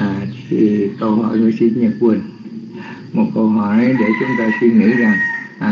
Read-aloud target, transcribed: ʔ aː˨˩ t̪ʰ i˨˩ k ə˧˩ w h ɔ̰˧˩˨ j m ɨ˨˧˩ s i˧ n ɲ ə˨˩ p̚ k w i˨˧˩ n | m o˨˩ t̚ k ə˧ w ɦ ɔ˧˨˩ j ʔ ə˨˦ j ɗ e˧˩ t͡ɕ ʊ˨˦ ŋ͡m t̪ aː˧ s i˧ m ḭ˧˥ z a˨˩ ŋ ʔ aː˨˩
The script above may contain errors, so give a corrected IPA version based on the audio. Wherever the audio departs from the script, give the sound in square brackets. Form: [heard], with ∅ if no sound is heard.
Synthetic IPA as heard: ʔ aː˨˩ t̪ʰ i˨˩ k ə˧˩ w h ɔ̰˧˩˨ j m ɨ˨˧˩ s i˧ n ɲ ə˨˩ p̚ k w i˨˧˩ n | m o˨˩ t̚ k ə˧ w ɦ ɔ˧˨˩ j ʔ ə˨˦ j ɗ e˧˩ t͡ɕ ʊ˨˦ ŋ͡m t̪ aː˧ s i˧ [ŋ] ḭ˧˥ z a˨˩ ŋ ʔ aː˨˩